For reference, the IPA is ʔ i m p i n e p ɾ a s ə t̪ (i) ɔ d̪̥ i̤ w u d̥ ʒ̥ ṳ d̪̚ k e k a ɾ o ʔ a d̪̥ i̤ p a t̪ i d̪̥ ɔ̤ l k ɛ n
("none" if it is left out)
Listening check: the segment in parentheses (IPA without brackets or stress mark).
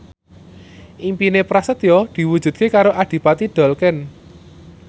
j